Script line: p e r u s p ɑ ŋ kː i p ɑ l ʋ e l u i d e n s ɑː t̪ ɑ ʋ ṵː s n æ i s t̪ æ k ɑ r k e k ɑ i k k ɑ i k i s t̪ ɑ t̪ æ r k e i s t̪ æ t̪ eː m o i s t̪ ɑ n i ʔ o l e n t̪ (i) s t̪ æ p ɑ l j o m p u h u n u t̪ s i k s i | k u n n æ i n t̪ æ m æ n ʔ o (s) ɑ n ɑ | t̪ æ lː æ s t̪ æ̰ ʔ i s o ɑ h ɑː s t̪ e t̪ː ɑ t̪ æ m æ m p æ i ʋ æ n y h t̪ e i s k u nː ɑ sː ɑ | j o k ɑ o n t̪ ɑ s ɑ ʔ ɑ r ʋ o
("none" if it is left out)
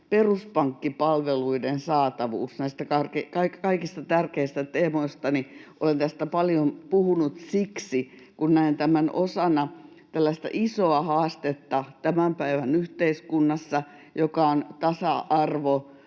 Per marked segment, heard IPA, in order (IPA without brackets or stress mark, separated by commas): æ, s